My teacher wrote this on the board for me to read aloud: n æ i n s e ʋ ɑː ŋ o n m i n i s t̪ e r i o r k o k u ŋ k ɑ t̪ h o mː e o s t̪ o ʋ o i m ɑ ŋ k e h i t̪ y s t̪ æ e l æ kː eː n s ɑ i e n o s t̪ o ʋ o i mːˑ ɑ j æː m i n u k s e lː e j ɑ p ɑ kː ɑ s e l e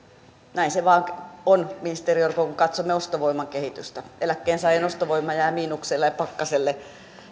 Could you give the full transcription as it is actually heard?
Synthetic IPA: n æ i n s e ʋ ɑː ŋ o n m i n i s t̪ e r i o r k o k u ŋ k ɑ t̪ s o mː e o s t̪ o ʋ o i m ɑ ŋ k e h i t̪ y s t̪ æ e l æ kː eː n s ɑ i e n o s t̪ o ʋ o i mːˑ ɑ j æː m iː n u k s e lː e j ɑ p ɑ kː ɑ s e lː e